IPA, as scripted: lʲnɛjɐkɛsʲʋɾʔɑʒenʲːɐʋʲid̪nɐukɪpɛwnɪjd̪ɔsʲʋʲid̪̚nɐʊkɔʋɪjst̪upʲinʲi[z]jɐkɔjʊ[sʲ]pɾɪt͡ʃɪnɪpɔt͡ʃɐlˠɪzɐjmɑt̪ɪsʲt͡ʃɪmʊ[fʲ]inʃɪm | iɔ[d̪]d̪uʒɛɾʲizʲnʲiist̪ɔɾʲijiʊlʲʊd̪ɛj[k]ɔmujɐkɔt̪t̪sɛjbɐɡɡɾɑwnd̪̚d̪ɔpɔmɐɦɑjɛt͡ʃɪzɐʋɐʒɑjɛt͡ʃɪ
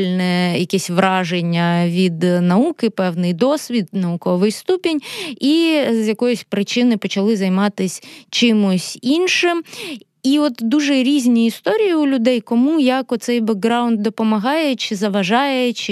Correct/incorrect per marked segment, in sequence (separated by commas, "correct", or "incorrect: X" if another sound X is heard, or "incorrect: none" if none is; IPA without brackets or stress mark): correct, correct, incorrect: sʲ, incorrect: t̪, correct